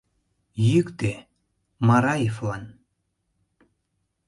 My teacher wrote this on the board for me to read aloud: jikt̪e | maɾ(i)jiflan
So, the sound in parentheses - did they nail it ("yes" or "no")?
no